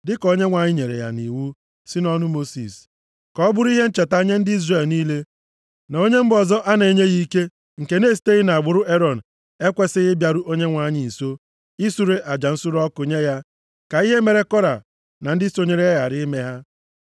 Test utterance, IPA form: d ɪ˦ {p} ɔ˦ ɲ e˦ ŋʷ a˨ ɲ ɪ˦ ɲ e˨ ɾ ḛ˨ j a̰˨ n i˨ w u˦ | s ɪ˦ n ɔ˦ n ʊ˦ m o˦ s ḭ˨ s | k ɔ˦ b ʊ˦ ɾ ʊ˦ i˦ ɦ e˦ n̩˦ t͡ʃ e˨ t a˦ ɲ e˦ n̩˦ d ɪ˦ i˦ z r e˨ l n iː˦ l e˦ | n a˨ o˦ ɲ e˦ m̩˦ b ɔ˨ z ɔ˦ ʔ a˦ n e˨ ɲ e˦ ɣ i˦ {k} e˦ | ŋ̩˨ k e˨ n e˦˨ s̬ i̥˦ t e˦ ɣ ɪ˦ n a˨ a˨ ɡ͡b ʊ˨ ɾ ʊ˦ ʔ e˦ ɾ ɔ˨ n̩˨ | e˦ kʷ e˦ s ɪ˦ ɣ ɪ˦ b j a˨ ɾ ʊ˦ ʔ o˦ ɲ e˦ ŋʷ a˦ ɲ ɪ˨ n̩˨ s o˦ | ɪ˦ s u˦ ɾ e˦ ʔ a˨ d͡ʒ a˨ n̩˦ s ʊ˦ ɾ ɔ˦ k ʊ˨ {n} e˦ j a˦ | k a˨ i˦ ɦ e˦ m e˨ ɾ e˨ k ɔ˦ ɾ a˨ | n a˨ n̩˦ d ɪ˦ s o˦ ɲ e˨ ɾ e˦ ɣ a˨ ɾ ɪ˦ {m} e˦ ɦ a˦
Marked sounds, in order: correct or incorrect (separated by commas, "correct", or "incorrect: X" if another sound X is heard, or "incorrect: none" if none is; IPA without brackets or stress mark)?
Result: incorrect: k, correct, incorrect: ɲ, correct